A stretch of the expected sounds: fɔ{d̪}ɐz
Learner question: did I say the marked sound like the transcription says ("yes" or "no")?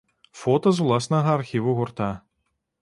no